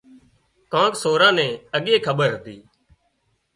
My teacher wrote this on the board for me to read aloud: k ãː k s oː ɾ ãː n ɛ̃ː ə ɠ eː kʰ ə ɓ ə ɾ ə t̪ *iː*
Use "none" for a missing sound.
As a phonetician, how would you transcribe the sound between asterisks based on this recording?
iː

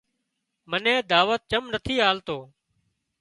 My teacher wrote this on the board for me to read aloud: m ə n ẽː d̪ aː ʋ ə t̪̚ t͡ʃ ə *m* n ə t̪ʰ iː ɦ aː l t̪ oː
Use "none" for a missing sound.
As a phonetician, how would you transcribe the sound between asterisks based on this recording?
m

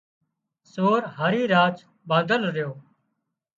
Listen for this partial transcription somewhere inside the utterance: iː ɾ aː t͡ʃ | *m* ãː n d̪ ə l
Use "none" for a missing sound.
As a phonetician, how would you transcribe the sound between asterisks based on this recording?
b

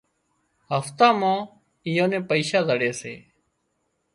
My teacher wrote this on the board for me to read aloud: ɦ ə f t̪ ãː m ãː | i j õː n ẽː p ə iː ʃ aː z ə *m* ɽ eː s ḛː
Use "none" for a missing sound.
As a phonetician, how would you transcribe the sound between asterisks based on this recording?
none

